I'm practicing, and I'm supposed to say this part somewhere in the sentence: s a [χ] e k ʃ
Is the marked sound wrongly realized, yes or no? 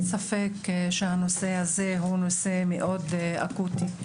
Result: yes